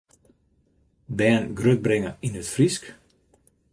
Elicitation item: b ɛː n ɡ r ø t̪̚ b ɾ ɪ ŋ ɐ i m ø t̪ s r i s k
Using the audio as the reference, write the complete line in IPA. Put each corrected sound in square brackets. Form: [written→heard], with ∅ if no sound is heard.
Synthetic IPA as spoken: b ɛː n ɡ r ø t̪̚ b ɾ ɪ ŋ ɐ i [m→n] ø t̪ [s→f] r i s k

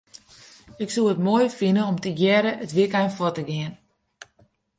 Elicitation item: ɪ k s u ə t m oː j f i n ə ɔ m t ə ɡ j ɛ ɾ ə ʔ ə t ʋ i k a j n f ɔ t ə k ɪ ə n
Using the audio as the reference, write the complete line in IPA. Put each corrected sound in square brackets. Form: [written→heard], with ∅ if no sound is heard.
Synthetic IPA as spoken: ɪ k s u ə t m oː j f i n ə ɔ m t ə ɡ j ɛ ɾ ə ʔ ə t ʋ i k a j n f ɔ t ə [k→ɡ] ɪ ə n

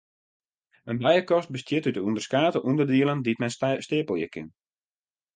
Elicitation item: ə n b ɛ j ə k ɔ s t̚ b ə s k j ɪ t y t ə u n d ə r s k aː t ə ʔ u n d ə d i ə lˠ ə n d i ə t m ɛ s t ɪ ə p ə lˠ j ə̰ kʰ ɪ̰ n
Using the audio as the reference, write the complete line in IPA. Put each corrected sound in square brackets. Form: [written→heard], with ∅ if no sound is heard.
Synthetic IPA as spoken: ə n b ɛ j ə k ɔ s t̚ b ə s [k→t] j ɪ t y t ə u n d ə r s k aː t ə ʔ u n d ə d i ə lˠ ə n d i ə t m ɛ s t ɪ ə p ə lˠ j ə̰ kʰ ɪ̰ n

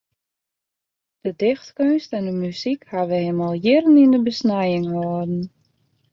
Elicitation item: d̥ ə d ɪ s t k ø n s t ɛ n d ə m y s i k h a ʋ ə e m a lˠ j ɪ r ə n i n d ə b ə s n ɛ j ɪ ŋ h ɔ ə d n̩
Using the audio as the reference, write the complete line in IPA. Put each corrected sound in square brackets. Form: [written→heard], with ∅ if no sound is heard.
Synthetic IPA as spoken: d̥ ə d ɪ [s→x] t k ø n s t ɛ n d ə m y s i k h a ʋ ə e m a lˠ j ɪ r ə n i n d ə b ə s n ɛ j ɪ ŋ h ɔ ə d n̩

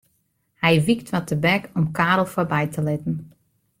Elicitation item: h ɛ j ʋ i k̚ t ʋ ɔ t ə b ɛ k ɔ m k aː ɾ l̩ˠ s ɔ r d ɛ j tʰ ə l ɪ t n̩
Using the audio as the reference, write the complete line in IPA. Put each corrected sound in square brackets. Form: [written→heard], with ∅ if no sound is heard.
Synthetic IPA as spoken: h ɛ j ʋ i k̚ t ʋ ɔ t ə b ɛ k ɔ m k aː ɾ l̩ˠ [s→f] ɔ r [d→b] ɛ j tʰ ə l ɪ t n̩

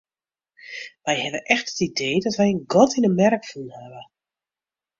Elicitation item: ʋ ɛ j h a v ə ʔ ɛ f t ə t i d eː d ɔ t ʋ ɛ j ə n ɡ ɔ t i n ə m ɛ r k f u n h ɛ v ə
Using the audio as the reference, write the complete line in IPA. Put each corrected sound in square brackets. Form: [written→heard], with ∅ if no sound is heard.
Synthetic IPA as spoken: ʋ ɛ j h [a→ɛ] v ə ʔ ɛ [f→x] t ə t i d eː d ɔ t ʋ ɛ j ə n ɡ ɔ t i n ə m ɛ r k f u n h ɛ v ə

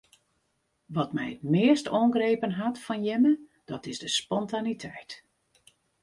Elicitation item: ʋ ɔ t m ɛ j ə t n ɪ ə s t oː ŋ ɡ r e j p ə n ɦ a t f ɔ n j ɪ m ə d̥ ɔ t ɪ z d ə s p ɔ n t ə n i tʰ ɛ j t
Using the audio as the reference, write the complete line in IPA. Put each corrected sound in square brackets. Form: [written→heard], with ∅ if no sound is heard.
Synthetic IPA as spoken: ʋ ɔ t m ɛ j ə t [n→m] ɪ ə s t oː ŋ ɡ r e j p ə n ɦ a t f ɔ n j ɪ m ə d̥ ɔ t ɪ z d ə s p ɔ n t [ə→a] n i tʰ ɛ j t

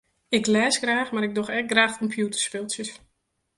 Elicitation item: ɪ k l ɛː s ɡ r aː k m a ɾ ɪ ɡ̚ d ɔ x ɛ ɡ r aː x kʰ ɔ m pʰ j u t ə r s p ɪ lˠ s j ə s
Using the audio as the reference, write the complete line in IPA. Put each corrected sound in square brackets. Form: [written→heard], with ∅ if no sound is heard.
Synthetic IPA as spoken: ɪ k l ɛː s ɡ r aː [k→x] m a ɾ ɪ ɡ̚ d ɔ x ɛ ɡ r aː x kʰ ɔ m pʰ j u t ə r s p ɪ lˠ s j ə s

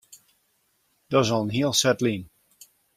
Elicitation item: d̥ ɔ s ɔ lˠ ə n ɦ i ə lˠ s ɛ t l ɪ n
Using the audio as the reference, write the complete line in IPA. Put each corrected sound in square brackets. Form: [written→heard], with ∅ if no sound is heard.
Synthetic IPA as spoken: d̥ ɔ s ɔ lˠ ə n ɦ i ə lˠ s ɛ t l [ɪ→i] n

